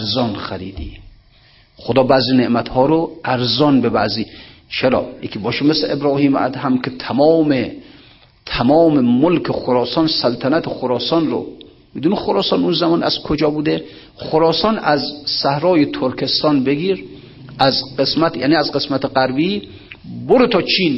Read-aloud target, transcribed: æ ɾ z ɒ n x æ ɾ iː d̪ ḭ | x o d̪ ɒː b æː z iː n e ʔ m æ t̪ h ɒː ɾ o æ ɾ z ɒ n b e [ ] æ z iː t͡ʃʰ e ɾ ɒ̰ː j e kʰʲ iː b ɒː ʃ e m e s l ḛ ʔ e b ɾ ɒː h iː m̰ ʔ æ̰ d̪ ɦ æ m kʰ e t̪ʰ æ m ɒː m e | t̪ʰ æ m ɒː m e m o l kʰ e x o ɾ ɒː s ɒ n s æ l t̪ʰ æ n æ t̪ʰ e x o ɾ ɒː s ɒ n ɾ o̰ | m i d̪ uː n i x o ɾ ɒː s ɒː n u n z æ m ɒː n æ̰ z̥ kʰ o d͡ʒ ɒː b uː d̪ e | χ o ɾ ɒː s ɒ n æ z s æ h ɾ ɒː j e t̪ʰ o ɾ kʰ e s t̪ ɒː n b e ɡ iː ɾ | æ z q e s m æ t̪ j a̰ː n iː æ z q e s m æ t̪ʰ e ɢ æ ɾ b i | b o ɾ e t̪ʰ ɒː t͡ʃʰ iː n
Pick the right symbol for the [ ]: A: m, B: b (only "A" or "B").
B